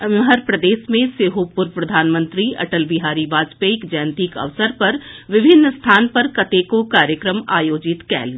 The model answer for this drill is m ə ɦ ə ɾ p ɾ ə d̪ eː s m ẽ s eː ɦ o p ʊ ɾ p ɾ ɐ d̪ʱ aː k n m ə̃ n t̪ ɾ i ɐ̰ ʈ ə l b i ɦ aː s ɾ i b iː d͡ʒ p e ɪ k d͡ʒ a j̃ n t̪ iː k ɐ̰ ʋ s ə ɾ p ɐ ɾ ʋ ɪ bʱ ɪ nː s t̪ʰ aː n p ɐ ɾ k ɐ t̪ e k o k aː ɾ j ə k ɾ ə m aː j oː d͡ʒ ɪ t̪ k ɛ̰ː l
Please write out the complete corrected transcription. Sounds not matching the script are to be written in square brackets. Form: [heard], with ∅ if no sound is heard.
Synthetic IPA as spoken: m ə ɦ ə ɾ p ɾ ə d̪ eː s m ẽ s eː ɦ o p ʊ ɾ p ɾ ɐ d̪ʱ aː [∅] n m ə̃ n t̪ ɾ i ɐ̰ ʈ ə l b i ɦ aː [∅] ɾ i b [aː] d͡ʒ p e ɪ k d͡ʒ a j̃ n t̪ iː k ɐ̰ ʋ s ə ɾ p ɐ ɾ ʋ ɪ bʱ ɪ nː s t̪ʰ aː n p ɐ ɾ k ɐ t̪ e k o k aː ɾ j ə k ɾ ə m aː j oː d͡ʒ ɪ t̪ k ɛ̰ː l